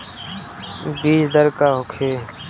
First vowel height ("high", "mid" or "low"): high